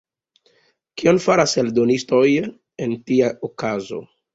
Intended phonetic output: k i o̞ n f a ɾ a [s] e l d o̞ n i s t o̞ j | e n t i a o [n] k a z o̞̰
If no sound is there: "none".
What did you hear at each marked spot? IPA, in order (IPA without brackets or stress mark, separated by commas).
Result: s, none